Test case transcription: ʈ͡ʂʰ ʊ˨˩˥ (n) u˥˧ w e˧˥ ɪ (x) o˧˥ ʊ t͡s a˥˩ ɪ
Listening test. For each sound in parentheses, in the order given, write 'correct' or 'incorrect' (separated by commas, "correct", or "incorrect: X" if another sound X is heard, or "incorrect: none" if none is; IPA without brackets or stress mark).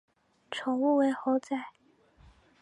incorrect: ŋ, correct